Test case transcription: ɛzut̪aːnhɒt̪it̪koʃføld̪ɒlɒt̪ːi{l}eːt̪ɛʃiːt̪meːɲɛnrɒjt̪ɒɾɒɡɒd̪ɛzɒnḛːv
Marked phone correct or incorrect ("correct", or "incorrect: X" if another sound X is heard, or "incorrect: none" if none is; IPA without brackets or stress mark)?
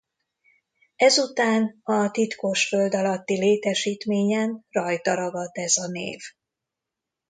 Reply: correct